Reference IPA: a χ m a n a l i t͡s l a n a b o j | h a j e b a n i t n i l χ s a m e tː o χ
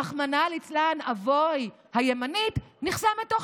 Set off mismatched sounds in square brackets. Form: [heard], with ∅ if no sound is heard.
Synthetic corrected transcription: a χ m a n a l i t͡s l a n a [v] o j | h a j e [m] a n i t n i [∅] χ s a m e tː o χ